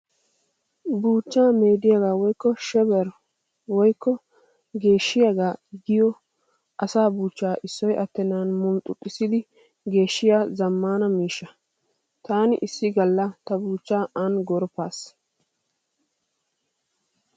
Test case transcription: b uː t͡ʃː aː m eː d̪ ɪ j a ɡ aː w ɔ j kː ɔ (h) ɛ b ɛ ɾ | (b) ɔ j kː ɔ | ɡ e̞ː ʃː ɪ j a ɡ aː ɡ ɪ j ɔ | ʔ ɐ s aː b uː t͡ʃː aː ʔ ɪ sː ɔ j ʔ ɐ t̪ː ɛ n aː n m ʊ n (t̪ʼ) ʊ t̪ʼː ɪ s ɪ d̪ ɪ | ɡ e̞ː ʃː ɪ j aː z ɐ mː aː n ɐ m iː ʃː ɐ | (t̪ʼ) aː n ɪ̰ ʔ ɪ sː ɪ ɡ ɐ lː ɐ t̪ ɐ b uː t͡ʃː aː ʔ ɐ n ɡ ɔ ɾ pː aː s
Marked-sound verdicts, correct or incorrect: incorrect: ʃ, incorrect: w, correct, incorrect: t̪

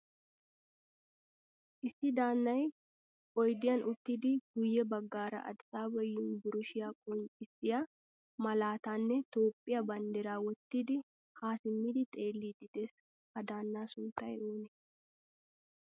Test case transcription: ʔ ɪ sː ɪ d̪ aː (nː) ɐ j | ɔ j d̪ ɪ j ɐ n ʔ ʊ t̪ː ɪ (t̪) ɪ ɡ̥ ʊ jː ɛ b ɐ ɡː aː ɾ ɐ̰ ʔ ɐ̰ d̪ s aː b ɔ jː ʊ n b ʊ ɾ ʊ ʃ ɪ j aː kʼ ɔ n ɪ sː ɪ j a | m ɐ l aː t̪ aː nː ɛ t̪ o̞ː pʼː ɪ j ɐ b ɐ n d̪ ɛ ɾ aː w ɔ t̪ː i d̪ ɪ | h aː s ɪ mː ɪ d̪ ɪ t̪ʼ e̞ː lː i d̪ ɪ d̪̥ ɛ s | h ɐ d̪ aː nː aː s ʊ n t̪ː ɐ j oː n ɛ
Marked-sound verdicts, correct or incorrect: correct, incorrect: d̪

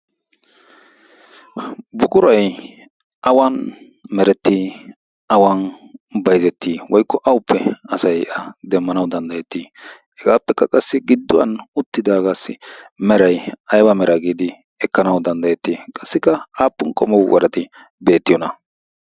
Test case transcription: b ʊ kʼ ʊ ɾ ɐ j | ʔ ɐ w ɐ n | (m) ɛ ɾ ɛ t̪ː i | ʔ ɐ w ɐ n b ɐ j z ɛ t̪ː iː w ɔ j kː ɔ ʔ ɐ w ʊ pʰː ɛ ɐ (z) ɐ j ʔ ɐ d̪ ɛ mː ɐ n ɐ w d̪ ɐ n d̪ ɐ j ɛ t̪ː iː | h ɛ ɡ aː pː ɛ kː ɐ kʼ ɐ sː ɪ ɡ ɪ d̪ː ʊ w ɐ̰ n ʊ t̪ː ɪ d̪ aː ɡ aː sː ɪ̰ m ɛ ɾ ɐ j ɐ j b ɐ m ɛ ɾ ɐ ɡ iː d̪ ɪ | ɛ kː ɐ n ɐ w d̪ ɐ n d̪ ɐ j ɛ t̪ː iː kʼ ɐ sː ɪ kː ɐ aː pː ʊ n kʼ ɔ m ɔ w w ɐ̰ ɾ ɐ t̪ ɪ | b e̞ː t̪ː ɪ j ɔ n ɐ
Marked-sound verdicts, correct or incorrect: correct, incorrect: s

